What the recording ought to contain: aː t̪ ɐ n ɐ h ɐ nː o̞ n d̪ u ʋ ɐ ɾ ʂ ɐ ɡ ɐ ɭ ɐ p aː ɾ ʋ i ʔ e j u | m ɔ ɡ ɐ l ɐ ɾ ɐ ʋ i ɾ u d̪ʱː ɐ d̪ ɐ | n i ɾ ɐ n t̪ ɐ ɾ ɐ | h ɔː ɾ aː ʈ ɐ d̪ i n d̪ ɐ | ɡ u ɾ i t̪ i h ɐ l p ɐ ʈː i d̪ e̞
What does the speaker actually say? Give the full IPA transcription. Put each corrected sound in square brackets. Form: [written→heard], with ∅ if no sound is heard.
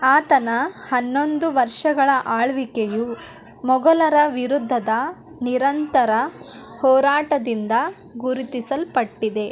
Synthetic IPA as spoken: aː t̪ ɐ n ɐ h ɐ nː o̞ n d̪ u ʋ ɐ ɾ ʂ ɐ ɡ ɐ ɭ ɐ [p→ʔ] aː [ɾ→ɭ] ʋ i [ʔ→k] e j u | m ɔ ɡ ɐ l ɐ ɾ ɐ ʋ i ɾ u d̪ʱː ɐ d̪ ɐ | n i ɾ ɐ n t̪ ɐ ɾ ɐ | h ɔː ɾ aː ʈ ɐ d̪ i n d̪ ɐ | ɡ u ɾ i t̪ i [h→s] ɐ l p ɐ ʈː i d̪ e̞